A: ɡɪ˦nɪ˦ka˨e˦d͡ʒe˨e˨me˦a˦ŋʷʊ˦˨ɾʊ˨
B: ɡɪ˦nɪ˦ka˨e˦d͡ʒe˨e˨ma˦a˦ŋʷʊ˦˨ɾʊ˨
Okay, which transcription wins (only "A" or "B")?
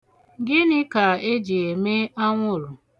A